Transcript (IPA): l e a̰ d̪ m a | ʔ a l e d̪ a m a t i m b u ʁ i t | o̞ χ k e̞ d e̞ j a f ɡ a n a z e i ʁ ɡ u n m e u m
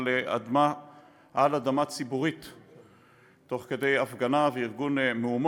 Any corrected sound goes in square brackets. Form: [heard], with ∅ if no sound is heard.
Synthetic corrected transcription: l e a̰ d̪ m a | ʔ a l [a] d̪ a m a [t͡s] i [∅] b u ʁ i t | o̞ χ k e̞ d e̞ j a f ɡ a n a [v] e i ʁ ɡ u n m e u m